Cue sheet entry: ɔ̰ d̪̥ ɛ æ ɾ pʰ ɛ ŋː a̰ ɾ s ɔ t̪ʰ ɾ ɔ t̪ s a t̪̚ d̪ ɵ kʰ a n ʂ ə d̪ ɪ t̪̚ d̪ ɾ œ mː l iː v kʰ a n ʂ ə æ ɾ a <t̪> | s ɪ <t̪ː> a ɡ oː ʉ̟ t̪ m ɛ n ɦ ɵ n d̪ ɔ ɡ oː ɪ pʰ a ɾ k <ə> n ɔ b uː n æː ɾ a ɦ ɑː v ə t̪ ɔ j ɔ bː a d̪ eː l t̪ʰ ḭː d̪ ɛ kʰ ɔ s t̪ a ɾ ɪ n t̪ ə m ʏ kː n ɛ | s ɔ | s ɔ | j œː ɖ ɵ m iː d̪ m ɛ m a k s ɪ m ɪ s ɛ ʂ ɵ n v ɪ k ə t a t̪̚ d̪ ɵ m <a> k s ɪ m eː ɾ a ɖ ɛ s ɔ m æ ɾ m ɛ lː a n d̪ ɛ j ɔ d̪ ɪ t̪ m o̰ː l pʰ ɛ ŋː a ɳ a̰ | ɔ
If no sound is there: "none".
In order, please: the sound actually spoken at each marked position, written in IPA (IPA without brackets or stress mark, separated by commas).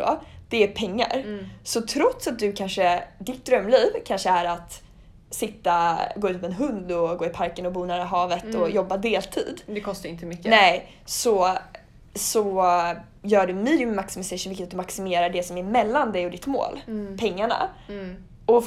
t̪, t̪ː, ə, a